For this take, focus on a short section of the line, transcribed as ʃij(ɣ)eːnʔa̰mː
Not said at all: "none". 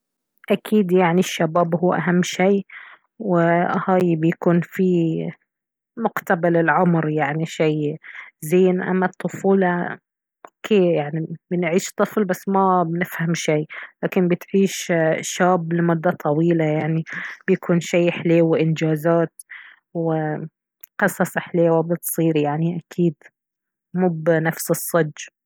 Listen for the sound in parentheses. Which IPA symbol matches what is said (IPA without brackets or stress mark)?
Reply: z